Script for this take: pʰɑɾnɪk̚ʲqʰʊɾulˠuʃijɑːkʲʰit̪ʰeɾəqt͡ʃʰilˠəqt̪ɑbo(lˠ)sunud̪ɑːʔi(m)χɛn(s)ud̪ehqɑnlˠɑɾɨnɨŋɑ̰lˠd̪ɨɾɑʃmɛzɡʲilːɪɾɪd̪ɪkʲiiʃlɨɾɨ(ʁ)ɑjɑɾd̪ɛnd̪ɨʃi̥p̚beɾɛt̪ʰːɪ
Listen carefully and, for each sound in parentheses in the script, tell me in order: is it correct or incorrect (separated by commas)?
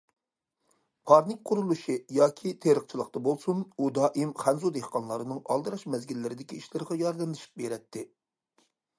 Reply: correct, correct, incorrect, correct